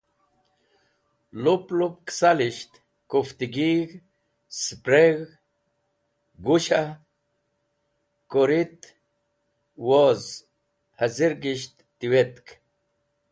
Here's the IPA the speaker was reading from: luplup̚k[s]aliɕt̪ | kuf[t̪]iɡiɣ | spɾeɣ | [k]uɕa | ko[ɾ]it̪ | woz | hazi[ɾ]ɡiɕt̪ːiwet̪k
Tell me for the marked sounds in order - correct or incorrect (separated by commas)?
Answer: correct, correct, incorrect, correct, correct